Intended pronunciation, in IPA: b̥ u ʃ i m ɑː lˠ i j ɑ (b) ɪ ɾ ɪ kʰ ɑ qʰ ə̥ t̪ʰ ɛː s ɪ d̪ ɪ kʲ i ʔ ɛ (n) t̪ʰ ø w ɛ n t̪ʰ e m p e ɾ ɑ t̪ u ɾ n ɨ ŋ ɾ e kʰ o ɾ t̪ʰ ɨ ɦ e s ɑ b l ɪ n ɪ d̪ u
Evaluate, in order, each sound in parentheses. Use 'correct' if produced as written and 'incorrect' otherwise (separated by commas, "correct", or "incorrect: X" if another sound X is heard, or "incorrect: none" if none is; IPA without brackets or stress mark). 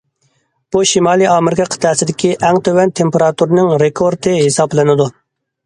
incorrect: m, incorrect: ŋ